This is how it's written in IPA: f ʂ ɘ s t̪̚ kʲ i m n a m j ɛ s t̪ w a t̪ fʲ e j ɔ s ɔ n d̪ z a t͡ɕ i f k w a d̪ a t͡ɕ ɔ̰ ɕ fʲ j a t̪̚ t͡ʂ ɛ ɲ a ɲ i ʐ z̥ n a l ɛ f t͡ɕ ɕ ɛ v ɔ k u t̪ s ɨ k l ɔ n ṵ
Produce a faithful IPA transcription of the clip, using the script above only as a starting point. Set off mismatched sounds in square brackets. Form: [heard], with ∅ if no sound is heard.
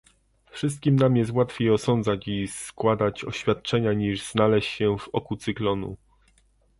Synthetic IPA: f ʂ ɘ s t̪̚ kʲ i m n a m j ɛ s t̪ w a t̪ fʲ e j ɔ s ɔ n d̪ z a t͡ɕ i [s] k w a d̪ a t͡ɕ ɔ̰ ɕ fʲ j a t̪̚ t͡ʂ ɛ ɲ a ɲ i ʐ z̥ n a l ɛ [ɕ] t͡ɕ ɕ ɛ v ɔ k u t̪ s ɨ k l ɔ n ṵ